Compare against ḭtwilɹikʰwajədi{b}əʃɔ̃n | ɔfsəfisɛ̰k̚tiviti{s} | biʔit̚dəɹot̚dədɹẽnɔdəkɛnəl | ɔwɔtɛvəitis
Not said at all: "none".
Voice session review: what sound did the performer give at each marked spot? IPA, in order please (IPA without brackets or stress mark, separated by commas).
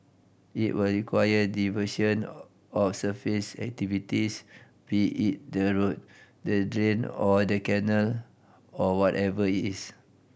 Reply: v, s